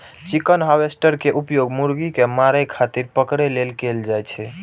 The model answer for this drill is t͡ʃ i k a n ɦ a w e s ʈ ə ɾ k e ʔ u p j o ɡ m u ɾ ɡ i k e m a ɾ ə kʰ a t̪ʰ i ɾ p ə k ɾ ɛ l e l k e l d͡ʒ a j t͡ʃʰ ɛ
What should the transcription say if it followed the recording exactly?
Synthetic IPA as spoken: t͡ʃ i k ə n ɦ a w e s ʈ ə ɾ k e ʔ u p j o ɡ m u ɾ ɡ i k e m a ɾ ə kʰ a t̪ i ɾ p ə k ɾ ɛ l e l k e l d͡ʒ a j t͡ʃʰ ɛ

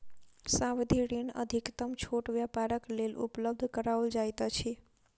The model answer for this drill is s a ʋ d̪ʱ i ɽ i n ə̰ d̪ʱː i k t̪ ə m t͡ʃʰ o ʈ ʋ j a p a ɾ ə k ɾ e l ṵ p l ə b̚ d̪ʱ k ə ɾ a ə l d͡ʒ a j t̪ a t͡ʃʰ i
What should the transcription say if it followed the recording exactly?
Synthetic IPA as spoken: s a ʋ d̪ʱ i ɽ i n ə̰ d̪ʱ i k t̪ ə m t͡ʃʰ o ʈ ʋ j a p a ɾ ə k l e l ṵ p l ə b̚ d̪ʱ k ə ɾ a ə l d͡ʒ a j t̪ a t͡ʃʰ i

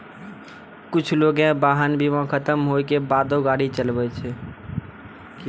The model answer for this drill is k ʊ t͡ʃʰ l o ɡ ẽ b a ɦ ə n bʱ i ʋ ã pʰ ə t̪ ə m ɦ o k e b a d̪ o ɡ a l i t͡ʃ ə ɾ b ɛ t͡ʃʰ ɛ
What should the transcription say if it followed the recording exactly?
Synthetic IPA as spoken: k ʊ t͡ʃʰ l o ɡ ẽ b a ɦ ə n bʱ i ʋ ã kʰ ə t̪ ə m ɦ o k e b a d̪ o ɡ a ɽ i t͡ʃ ə l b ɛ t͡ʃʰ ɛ

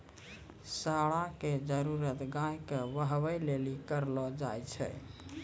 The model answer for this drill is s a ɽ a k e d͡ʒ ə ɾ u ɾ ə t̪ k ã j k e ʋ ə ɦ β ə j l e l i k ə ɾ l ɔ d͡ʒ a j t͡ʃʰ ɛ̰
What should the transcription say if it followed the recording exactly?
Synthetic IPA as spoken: s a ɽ a k e d͡ʒ ə ɾ u ɾ ə t̪ ɡ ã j k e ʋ ə ɦ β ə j l e l i k ə ɾ l ɔ d͡ʒ a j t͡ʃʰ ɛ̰

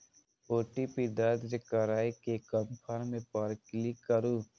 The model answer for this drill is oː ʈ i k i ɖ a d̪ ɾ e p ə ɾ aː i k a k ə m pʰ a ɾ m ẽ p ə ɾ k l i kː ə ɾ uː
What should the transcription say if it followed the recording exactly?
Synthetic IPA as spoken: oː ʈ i p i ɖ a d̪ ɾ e k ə ɾ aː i k e k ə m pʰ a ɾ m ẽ p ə ɾ k l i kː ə ɾ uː

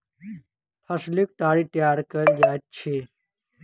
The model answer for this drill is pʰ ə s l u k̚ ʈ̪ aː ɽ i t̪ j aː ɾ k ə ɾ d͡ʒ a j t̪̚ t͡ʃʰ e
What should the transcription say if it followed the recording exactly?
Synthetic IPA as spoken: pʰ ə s l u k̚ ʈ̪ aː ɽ i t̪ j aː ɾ k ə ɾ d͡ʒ a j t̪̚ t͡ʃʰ e

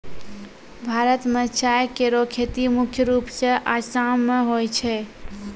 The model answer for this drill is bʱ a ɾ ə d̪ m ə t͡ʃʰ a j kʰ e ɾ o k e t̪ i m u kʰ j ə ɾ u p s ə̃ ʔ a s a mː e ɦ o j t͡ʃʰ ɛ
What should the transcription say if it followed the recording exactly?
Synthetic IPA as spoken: bʱ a ɾ ə t̪ m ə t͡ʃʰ a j k e ɾ o kʰ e t̪ i m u kʰ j ə ɾ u p s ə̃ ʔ a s a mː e ɦ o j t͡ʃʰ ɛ

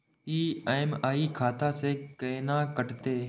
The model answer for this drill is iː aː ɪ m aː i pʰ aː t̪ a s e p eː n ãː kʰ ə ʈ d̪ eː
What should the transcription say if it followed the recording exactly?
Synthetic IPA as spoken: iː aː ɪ m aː i kʰ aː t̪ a s e k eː n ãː k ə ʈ t̪ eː

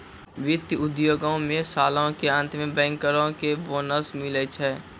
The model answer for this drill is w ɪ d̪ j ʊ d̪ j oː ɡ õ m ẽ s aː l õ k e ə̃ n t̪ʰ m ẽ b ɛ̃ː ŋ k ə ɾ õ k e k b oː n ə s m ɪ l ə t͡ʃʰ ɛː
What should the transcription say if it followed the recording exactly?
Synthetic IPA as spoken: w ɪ t̪ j ʊ d̪ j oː ɡ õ m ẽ s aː l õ k e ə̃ n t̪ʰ m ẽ b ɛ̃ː ŋ k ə ɾ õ k e b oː n ə s m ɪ l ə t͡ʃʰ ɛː

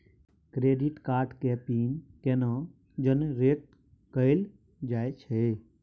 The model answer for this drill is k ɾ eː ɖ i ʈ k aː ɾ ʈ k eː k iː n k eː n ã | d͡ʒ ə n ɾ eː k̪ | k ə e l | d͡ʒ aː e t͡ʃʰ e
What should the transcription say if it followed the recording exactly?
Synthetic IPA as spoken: k ɾ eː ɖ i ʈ k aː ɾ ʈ k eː p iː n k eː n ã | d͡ʒ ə n ɾ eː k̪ | k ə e l | d͡ʒ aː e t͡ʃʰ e

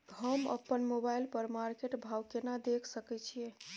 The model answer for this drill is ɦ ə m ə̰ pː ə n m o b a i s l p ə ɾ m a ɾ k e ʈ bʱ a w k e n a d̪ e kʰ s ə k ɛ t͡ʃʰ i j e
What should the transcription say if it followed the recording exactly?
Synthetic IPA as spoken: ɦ ə m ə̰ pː ə n m o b a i l p ə ɾ m a ɾ k e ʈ bʱ a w k e n a d̪ e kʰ s ə k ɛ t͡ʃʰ i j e

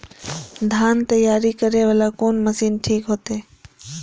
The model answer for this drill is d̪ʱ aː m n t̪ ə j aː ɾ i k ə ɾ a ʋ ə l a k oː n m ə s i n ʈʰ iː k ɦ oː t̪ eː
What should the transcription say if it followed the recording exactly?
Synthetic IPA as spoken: d̪ʱ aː n t̪ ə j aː ɾ i k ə ɾ e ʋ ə l a k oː n m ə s iː n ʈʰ iː k ɦ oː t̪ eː

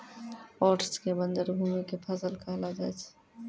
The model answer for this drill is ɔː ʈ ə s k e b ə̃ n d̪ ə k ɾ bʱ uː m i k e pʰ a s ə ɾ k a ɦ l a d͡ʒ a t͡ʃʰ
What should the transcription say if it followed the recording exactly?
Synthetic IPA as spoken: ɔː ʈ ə s k e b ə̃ n d̪ ə ɾ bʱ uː m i k e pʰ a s ə l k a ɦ l a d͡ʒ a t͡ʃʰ

